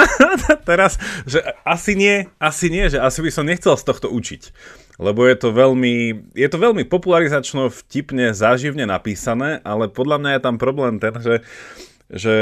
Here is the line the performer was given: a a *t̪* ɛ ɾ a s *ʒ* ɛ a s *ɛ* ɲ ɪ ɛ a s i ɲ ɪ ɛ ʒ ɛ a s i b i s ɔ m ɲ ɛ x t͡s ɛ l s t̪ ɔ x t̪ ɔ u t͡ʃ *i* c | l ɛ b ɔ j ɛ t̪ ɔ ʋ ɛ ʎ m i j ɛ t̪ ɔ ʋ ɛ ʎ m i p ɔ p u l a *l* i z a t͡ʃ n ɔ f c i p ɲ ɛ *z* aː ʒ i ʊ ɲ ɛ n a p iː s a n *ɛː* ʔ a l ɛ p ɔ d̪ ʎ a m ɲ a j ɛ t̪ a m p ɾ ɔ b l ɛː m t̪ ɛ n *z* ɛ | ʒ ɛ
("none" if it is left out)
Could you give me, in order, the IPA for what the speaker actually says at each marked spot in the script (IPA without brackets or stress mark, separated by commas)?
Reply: t̪, ʒ, i, i, ɾ, z, ɛː, ʒ